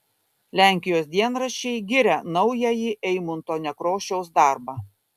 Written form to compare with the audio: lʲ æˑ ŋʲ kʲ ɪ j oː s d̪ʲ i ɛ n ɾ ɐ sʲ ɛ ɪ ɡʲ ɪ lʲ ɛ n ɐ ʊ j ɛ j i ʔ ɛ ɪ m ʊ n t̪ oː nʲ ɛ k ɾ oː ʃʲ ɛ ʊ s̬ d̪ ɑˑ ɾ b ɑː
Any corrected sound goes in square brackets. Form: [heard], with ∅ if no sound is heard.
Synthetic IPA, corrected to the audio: lʲ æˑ ŋʲ kʲ ɪ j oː s d̪ʲ i ɛ n ɾ ɐ [ʃʲ] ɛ ɪ ɡʲ ɪ [ɾʲ] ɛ n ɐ ʊ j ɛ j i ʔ ɛ ɪ m ʊ n t̪ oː nʲ ɛ k ɾ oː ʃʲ ɛ ʊ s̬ d̪ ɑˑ ɾ b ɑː